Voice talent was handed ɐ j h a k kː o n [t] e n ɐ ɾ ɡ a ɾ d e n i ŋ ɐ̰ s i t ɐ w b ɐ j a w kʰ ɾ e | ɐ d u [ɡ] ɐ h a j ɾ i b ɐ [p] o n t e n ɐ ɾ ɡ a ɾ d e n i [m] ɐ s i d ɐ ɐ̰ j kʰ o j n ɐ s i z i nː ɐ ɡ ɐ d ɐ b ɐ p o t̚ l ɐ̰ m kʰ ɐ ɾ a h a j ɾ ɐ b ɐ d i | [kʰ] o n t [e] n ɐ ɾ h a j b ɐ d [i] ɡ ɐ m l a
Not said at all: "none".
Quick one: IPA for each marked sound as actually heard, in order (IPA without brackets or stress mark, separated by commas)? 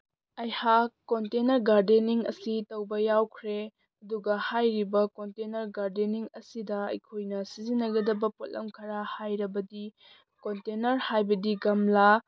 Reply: t, ɡ, k, ŋ, k, e, i